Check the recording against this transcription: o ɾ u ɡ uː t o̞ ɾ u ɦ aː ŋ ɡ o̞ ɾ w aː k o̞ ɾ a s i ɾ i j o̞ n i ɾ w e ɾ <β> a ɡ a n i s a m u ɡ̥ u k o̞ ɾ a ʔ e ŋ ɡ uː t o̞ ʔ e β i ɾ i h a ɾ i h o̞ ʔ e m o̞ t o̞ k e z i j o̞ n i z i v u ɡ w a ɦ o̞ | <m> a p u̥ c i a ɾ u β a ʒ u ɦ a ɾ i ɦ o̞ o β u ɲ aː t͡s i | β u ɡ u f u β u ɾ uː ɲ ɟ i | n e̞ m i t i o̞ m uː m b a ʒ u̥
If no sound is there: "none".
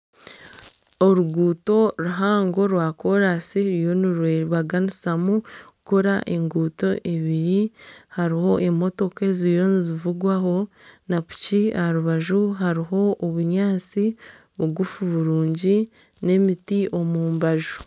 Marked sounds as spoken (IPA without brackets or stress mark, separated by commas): β, n